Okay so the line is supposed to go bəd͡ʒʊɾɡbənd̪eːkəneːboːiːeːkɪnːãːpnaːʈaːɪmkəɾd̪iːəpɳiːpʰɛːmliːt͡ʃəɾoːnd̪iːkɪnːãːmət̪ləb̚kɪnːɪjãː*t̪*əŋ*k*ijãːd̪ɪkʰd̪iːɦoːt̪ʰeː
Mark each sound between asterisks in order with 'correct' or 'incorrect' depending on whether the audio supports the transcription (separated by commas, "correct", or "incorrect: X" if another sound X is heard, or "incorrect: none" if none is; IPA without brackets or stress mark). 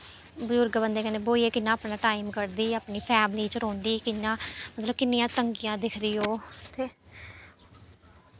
correct, incorrect: ɡ